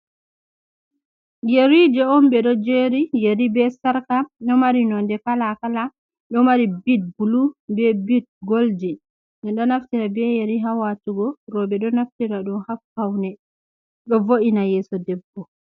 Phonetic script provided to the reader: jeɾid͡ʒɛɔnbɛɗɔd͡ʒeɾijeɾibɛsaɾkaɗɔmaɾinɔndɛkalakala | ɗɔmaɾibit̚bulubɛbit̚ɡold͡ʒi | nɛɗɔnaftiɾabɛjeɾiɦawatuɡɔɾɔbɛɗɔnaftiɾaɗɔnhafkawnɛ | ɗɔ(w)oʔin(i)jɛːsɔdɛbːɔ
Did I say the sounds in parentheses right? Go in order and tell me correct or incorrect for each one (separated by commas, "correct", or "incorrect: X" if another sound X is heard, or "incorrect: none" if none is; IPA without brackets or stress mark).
incorrect: v, incorrect: a